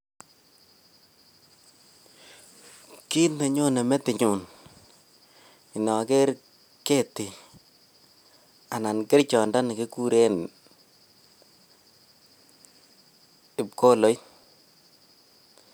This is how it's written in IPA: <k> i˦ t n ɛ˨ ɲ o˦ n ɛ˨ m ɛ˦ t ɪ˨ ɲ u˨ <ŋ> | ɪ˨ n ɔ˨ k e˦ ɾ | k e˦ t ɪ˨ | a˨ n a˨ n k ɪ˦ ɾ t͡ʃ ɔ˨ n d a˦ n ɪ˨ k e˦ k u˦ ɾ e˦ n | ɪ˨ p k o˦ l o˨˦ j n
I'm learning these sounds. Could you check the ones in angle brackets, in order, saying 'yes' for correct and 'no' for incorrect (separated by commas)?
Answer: yes, no